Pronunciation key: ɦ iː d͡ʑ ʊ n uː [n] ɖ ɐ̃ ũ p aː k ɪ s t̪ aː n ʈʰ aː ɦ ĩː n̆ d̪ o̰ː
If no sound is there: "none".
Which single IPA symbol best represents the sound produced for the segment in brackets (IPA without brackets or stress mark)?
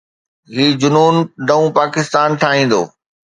n